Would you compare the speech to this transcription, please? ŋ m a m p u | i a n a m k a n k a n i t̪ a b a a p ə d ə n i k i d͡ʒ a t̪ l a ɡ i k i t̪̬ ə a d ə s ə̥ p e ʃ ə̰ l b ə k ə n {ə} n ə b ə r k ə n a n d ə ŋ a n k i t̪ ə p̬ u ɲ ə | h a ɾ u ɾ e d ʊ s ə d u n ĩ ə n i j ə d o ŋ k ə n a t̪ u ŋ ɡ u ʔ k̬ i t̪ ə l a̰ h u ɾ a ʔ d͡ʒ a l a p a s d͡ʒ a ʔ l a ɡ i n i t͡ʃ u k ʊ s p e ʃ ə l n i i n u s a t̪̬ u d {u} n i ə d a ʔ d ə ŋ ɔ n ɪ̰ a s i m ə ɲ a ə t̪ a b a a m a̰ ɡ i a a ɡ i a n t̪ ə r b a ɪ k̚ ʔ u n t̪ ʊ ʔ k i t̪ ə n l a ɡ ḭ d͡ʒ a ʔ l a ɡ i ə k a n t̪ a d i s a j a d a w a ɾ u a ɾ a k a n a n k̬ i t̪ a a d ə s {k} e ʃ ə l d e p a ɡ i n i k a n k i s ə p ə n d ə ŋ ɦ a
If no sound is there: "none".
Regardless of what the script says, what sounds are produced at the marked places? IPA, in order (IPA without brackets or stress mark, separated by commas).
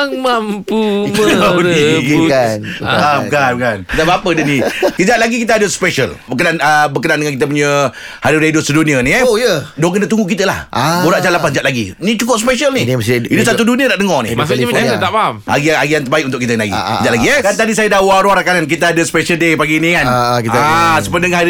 a, u, p